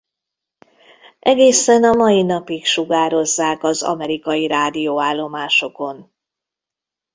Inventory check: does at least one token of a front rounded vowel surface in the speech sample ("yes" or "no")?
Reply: no